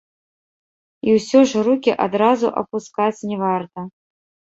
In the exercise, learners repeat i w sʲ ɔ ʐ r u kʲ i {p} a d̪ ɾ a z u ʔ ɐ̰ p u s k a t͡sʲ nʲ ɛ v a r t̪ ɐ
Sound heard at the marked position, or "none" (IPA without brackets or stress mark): ʔ